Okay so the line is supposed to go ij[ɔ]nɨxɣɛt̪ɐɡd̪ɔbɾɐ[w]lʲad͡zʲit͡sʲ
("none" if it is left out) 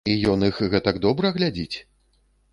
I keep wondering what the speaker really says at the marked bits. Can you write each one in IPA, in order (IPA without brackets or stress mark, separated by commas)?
ɔ, ɣ